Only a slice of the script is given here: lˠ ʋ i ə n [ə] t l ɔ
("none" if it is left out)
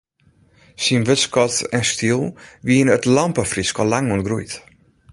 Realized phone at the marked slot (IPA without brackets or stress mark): ə